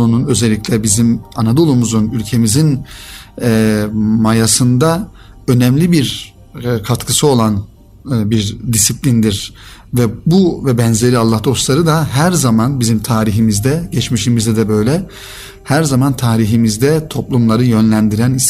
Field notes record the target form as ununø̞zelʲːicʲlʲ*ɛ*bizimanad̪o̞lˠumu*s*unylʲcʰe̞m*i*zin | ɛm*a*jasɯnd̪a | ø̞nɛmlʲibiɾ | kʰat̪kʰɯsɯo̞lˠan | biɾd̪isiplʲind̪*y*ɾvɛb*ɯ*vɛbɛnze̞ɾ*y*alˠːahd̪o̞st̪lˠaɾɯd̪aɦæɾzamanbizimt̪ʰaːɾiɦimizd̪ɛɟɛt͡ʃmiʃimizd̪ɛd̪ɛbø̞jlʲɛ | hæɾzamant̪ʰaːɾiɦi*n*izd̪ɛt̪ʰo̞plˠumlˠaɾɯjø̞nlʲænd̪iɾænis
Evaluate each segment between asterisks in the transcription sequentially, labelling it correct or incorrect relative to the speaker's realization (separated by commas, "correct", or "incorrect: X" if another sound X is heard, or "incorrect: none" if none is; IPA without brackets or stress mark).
correct, incorrect: z, correct, correct, incorrect: i, incorrect: u, incorrect: i, incorrect: m